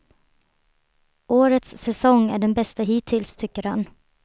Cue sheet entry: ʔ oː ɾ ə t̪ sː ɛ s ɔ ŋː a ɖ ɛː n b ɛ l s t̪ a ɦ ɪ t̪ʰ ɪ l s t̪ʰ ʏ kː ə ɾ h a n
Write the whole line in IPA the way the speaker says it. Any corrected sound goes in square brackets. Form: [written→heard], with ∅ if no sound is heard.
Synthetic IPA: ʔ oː ɾ ə t̪ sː ɛ s ɔ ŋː [a→æ] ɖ [ɛː→ɛ] n b ɛ [l→∅] s t̪ a ɦ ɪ t̪ʰ ɪ l s t̪ʰ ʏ kː ə ɾ h a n